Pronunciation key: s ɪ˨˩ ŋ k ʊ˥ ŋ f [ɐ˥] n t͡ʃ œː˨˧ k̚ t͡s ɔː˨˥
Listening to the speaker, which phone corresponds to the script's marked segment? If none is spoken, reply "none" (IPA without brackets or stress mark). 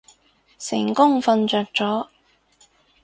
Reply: ɐ˧